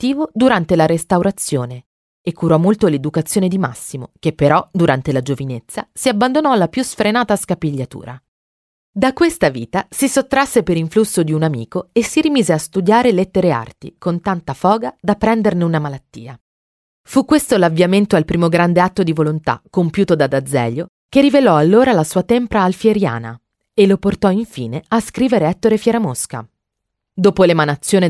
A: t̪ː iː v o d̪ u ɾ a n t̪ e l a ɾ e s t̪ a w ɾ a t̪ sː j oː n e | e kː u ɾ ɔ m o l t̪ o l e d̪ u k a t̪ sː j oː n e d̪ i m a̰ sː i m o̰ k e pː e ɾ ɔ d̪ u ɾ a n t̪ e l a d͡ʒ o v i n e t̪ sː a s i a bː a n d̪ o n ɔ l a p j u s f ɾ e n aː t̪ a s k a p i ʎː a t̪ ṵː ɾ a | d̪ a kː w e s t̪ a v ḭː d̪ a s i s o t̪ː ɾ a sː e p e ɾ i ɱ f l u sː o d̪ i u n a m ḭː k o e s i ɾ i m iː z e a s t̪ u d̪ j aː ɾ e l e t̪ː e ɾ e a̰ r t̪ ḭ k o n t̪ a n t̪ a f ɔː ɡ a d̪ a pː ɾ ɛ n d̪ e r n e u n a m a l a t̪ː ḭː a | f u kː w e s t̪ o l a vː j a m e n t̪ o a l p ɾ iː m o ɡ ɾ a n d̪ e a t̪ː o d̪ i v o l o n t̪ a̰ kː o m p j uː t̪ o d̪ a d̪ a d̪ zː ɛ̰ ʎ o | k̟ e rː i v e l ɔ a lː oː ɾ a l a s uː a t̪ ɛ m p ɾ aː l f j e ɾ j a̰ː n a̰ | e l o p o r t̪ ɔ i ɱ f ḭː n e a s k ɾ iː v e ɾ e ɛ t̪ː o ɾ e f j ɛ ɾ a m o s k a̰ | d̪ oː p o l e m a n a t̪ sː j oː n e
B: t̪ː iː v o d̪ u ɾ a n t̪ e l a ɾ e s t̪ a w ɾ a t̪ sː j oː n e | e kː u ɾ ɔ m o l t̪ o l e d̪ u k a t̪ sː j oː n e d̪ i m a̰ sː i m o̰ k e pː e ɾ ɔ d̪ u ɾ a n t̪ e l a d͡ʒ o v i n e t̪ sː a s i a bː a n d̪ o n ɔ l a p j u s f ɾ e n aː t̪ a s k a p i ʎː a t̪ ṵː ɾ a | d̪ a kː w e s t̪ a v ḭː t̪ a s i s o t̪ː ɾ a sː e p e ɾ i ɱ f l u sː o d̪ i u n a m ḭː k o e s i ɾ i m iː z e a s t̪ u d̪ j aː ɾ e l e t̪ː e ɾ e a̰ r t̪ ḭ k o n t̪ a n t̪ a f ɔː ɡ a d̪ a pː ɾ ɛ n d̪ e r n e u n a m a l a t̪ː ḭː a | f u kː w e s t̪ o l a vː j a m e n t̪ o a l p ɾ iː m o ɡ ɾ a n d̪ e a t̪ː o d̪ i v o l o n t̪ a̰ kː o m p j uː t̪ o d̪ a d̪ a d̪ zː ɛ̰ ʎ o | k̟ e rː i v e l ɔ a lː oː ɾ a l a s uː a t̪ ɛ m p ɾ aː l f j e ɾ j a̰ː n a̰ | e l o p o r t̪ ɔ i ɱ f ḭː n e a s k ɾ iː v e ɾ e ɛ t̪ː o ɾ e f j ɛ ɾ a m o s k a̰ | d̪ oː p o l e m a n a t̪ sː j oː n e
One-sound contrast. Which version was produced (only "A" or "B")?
B